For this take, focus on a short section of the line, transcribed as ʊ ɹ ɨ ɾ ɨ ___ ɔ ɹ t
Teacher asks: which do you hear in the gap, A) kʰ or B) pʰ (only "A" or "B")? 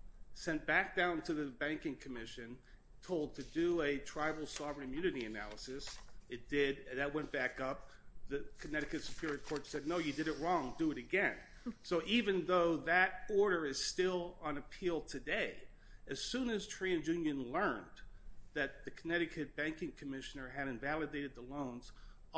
A